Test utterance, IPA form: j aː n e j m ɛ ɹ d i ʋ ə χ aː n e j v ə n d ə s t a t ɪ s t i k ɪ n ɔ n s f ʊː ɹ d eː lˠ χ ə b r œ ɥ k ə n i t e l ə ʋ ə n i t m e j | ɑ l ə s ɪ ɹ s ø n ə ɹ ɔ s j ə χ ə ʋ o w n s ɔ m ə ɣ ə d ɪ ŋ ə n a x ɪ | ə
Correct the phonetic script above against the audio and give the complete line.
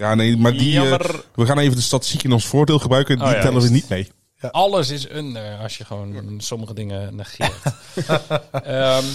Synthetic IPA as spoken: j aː n e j m a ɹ d i ʋ ə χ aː n e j v ə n d ə s t a t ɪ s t i k ɪ n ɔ n s f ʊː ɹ d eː lˠ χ ə b r œ ɥ k ə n i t ɛ l ə ʋ ə n i t m e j | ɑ l ə s ɪ s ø n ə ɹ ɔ s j ə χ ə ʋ o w n s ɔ m ə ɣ ə d ɪ ŋ ə n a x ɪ | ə